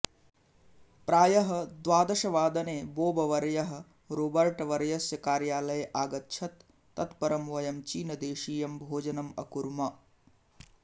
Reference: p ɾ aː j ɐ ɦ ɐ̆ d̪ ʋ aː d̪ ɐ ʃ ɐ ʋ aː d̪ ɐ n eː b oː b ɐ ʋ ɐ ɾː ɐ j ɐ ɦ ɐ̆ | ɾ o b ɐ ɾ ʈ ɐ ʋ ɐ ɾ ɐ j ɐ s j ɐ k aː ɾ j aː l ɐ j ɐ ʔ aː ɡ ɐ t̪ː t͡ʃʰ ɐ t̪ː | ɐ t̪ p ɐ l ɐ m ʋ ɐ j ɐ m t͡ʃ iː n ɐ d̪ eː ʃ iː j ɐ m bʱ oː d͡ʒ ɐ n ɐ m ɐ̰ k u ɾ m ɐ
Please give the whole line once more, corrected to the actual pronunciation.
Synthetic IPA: p ɾ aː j ɐ ɦ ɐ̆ d̪ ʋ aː d̪ ɐ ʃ ɐ ʋ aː d̪ ɐ n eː b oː b ɐ ʋ ɐ ɾ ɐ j ɐ ɦ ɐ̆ | ɾ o b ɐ ɾ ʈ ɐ ʋ ɐ ɾ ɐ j ɐ s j ɐ k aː ɾ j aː l ɐ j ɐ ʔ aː ɡ ɐ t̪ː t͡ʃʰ ɐ t̪ː | ɐ t̪ p ɐ ɾ ɐ m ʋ ɐ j ɐ m t͡ʃ iː n ɐ d̪ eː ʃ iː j ɐ m bʱ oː d͡ʒ ɐ n ɐ m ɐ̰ k u ɾ m ɐ

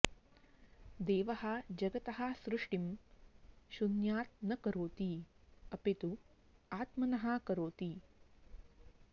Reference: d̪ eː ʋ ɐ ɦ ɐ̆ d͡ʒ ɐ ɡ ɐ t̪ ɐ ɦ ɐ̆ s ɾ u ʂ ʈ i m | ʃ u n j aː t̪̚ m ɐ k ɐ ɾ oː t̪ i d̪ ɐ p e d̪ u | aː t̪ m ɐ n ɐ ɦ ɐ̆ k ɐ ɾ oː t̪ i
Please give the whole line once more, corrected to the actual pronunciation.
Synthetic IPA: d̪ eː ʋ ɐ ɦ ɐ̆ d͡ʒ ɐ ɡ ɐ t̪ ɐ ɦ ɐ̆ s ɾ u ʂ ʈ i m | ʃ u n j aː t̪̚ n ɐ k ɐ ɾ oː t̪ i ɐ p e t̪ u | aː t̪ m ɐ n ɐ ɦ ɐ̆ k ɐ ɾ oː t̪ i

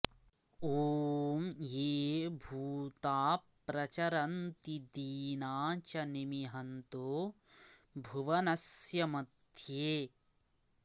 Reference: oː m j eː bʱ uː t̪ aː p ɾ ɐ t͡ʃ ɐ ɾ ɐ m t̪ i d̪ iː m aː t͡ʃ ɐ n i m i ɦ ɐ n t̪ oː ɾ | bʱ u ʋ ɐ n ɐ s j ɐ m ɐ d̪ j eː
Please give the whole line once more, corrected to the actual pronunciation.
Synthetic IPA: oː m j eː bʱ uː t̪ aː p ɾ ɐ t͡ʃ ɐ ɾ ɐ n t̪ i d̪ iː n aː t͡ʃ ɐ n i m i ɦ ɐ n t̪ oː | bʱ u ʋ ɐ n ɐ s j ɐ m ɐ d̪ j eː

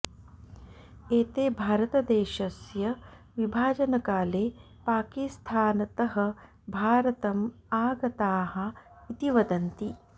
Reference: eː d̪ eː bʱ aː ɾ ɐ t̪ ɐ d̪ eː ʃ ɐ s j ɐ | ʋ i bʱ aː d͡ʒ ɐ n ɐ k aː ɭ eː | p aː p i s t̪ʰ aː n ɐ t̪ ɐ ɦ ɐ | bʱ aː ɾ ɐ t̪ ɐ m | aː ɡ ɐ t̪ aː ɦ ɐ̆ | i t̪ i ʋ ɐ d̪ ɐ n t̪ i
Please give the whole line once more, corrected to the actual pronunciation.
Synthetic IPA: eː t̪ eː bʱ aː ɾ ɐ t̪ ɐ d̪ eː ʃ ɐ s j ɐ | ʋ i bʱ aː d͡ʒ ɐ n ɐ k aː l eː | p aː k i s t̪ʰ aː n ɐ t̪ ɐ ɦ ɐ | bʱ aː ɾ ɐ t̪ ɐ m | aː ɡ ɐ t̪ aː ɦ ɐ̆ | i t̪ i ʋ ɐ d̪ ɐ n t̪ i

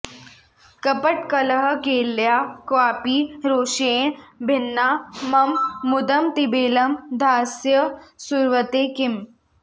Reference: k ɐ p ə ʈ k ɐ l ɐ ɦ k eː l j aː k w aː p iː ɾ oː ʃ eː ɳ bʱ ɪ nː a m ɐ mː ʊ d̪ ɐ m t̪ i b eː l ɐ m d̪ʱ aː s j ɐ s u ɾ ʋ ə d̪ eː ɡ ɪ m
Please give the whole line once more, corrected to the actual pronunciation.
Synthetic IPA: k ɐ p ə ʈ k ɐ l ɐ ɦ k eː l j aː k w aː p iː ɾ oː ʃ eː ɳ bʱ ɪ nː a m ɐ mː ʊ d̪ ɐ m t̪ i b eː l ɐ m d̪ʱ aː s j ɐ s u ɾ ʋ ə t̪ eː k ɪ m

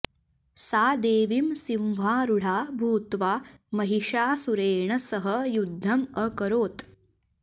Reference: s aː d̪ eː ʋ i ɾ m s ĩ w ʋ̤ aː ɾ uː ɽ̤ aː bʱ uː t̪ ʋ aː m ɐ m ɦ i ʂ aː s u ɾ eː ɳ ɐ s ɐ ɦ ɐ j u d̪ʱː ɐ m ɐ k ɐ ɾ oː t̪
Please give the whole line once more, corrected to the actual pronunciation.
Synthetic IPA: s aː d̪ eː ʋ i m s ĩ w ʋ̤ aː ɾ u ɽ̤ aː bʱ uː t̪ ʋ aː m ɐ ɦ i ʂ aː s u ɾ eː ɳ ɐ s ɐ ɦ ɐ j u d̪ʱː ɐ m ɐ k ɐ ɾ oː t̪

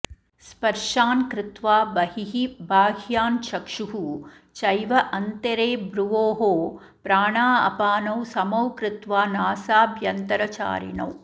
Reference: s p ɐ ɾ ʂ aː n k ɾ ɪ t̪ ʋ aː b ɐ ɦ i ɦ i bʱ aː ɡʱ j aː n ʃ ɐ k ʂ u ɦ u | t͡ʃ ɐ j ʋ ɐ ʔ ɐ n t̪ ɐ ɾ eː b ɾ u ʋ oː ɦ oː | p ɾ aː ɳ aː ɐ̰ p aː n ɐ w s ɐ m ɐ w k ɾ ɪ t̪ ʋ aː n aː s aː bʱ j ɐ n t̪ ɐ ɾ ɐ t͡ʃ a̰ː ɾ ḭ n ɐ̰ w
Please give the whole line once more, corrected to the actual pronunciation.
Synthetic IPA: s p ɐ ɾ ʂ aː n k ɾ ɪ t̪ ʋ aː b ɐ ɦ i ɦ i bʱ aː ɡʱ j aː n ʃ ɐ k ʂ u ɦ u | t͡ʃ ɐ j ʋ ɐ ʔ ɐ n t̪ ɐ ɾ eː b ɾ u ʋ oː ɦ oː | p ɾ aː ɳ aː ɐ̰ p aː n ɐ w s ɐ m ɐ w k ɾ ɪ t̪ ʋ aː n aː s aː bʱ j ɐ n t̪ ɐ ɾ ɐ t͡ʃ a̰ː ɾ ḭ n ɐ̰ w

